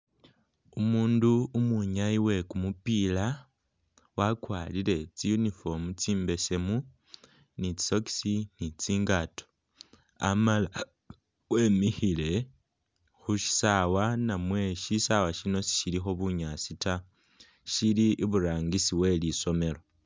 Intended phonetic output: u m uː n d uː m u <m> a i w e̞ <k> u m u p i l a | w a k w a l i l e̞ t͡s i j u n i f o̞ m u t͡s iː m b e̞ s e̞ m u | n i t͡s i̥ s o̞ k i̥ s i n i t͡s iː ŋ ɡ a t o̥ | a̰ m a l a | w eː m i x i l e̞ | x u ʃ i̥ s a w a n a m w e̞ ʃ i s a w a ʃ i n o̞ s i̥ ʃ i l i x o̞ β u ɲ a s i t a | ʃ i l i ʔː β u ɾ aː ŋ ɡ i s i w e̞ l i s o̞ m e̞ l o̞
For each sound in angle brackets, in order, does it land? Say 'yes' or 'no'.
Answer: no, yes

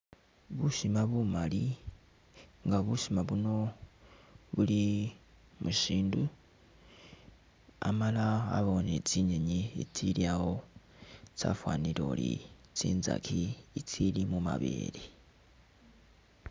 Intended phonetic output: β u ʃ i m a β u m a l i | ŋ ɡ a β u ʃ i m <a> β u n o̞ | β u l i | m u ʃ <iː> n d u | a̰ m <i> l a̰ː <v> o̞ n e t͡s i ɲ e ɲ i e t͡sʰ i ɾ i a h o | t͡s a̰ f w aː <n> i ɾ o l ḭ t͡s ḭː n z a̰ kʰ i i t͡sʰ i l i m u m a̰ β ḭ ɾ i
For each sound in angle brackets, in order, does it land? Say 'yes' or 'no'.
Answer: yes, yes, no, no, yes

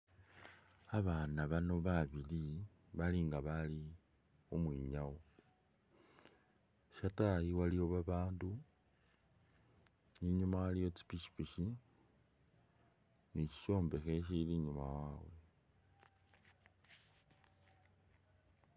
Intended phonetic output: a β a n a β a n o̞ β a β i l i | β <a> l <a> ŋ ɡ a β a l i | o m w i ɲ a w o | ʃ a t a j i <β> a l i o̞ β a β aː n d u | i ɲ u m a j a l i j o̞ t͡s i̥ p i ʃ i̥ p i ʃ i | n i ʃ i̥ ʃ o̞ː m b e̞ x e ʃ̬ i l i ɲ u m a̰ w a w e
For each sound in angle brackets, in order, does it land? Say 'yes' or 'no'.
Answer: yes, no, no

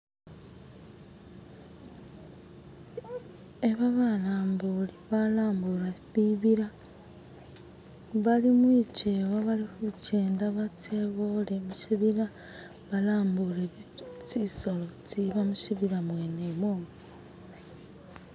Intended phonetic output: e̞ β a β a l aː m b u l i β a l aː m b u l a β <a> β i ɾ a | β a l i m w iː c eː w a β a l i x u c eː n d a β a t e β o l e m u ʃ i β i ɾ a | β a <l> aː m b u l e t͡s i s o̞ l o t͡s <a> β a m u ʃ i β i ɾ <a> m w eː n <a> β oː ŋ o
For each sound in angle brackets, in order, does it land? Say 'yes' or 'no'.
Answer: no, yes, no, yes, no

